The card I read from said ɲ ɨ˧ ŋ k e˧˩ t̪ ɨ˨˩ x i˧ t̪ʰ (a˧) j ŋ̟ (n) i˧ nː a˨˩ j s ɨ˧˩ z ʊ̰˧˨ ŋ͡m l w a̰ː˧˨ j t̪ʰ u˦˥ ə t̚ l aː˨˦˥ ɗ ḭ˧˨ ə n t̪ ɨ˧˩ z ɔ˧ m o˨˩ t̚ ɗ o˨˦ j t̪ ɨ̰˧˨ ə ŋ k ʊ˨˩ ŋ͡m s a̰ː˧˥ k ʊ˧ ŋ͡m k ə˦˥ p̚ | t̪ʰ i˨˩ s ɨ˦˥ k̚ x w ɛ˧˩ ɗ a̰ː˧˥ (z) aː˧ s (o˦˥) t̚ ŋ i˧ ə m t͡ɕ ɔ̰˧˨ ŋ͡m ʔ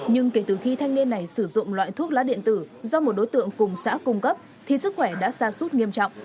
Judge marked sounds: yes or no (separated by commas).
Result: yes, yes, no, no